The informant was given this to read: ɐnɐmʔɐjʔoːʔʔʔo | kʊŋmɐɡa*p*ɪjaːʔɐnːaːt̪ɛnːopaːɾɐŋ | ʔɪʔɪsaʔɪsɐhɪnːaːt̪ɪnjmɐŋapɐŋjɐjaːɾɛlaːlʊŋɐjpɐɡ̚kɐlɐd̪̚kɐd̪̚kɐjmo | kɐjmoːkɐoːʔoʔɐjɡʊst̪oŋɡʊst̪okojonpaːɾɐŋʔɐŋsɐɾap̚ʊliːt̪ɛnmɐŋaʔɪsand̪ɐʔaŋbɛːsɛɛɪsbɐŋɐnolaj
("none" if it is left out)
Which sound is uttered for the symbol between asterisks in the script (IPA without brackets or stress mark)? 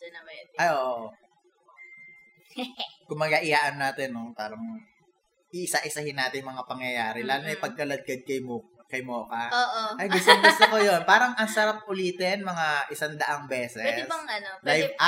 ʔ